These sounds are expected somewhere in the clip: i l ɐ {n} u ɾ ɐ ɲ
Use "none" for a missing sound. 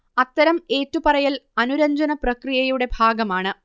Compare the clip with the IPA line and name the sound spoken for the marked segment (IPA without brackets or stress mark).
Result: n